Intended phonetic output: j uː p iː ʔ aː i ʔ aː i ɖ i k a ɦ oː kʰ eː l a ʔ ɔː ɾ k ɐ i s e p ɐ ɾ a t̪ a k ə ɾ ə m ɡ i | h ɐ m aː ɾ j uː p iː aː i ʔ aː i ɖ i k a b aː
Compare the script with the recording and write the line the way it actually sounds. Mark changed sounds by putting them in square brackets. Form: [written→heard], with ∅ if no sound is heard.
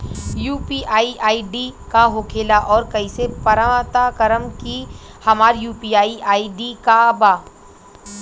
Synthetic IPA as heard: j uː p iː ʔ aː i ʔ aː i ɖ i k a ɦ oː kʰ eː l a ʔ ɔː ɾ k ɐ i s e p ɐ ɾ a t̪ a k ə ɾ ə m [ɡ→k] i | h ɐ m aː ɾ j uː p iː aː i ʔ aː i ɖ i k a b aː